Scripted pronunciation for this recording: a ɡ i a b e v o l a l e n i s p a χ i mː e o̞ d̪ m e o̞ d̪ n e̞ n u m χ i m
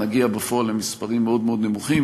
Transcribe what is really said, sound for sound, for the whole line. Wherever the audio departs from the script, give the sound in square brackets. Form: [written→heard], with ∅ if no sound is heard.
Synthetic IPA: a ɡ i a b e [v→f] o [l→∅] a l e [n→m] i s p a [χ→ʁ] i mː e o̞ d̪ m e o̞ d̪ n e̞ [n→m] u [m→∅] χ i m